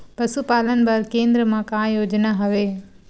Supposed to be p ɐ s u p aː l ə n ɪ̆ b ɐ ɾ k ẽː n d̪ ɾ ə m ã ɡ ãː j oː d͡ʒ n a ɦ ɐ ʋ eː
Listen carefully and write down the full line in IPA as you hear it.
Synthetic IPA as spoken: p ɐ s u p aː l ə n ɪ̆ b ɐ ɾ k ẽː n d̪ ɾ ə m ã k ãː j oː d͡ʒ n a ɦ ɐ ʋ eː